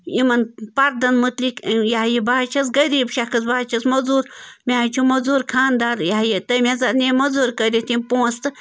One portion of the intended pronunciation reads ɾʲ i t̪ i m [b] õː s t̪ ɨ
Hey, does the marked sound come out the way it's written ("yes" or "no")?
no